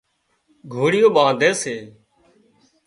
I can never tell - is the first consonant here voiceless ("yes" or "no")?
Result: no